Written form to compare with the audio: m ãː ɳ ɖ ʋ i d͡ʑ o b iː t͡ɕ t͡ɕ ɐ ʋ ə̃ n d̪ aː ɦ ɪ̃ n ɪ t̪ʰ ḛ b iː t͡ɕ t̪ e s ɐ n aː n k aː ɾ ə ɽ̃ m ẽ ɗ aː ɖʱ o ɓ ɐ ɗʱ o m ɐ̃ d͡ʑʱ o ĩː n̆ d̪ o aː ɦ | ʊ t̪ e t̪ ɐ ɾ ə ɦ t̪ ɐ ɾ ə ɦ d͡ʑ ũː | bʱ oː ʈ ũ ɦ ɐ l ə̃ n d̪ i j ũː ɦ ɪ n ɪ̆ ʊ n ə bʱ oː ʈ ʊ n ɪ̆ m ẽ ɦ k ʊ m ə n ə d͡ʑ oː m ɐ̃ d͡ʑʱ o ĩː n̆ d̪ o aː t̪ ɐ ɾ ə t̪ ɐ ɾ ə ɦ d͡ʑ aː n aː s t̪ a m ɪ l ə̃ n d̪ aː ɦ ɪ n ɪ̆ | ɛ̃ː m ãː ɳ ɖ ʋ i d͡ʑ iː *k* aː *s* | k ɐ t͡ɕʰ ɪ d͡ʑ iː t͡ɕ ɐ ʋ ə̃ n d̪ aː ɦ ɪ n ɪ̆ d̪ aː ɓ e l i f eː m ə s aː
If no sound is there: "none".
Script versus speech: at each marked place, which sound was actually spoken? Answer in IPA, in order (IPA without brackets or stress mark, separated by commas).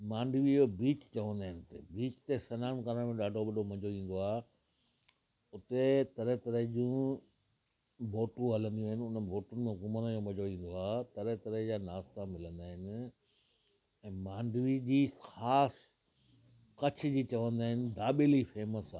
x, s